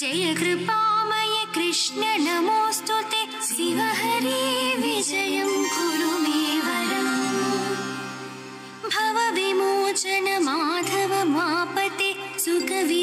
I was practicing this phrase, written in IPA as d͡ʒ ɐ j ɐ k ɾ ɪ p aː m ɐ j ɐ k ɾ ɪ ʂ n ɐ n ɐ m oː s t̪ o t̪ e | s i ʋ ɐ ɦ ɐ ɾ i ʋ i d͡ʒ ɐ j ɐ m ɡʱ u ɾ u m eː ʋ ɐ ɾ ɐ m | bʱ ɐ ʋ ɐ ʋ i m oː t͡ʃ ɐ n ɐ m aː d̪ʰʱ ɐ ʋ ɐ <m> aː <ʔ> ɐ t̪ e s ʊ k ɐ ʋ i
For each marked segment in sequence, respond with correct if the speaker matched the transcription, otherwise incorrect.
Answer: correct, incorrect: p

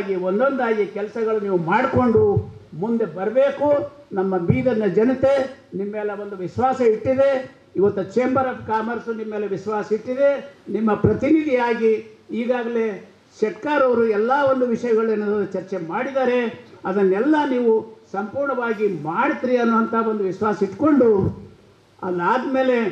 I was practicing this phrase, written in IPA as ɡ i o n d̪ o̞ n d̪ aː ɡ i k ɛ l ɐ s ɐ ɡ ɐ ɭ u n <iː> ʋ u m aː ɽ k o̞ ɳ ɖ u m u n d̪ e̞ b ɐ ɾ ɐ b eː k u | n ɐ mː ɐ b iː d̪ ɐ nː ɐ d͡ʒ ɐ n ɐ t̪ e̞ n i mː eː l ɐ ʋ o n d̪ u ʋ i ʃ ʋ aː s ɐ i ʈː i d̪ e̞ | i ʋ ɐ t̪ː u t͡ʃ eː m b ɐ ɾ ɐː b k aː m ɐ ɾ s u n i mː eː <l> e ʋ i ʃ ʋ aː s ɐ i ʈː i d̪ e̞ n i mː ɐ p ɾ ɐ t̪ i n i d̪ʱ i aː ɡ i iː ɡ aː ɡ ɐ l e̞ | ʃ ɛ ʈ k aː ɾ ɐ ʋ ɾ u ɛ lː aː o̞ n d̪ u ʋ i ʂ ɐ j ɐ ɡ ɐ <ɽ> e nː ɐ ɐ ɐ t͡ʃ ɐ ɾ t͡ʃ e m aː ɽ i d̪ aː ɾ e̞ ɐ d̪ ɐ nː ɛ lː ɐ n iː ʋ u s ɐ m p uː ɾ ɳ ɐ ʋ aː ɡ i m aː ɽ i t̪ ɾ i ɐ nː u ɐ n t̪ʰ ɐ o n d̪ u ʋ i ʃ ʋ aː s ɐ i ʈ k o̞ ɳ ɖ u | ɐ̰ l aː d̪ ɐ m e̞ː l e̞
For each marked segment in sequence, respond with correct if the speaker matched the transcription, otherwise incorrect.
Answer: correct, correct, incorrect: ɭ

